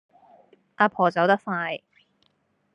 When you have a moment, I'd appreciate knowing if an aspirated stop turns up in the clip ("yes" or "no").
yes